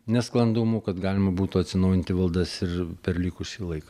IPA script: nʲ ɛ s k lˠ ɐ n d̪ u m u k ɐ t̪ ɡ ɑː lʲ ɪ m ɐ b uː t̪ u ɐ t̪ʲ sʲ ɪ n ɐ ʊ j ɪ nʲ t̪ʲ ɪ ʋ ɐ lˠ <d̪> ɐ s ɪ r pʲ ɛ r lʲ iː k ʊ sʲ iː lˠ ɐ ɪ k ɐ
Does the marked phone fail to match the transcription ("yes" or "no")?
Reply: no